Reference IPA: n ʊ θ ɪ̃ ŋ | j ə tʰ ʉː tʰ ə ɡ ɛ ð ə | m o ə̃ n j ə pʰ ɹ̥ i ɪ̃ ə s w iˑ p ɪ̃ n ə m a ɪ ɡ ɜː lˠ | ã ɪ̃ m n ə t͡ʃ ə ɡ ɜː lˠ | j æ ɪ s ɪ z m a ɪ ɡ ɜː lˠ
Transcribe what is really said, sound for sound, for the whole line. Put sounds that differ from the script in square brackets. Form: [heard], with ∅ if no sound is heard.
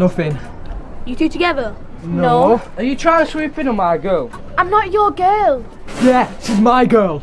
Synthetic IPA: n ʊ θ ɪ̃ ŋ | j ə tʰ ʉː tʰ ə ɡ ɛ ð ə | [n] o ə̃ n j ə [tʰ] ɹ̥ [a] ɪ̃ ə s w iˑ p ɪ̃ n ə m a ɪ ɡ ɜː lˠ | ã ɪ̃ m n ə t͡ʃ ə ɡ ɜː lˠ | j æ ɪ s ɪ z m a ɪ ɡ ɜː lˠ